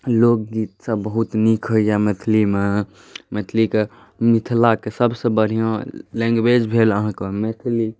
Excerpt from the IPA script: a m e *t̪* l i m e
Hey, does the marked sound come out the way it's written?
no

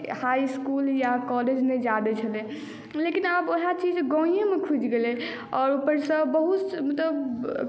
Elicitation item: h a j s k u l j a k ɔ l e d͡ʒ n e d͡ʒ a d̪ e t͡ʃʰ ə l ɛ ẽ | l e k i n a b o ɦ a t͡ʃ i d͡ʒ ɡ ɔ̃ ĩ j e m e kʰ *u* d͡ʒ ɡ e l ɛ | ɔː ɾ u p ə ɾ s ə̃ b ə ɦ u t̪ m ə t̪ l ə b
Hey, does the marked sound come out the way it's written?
yes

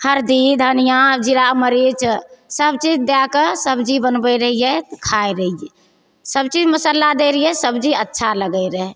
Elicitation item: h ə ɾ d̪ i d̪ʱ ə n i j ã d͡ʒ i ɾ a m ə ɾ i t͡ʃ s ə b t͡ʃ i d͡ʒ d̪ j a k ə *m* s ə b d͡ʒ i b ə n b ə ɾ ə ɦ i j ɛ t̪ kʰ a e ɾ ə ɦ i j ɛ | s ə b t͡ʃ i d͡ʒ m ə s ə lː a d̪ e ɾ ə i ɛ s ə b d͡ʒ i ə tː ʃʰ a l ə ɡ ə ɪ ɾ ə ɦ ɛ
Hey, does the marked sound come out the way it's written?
no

